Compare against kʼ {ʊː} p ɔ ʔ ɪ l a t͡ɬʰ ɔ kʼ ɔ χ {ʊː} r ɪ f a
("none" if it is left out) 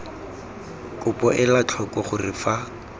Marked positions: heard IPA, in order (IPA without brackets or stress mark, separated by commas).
ʊ, ʊ